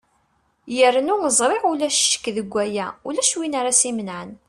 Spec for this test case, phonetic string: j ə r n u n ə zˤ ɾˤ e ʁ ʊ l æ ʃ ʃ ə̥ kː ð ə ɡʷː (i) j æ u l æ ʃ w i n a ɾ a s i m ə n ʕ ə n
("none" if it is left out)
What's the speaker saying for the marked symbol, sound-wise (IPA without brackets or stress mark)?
æ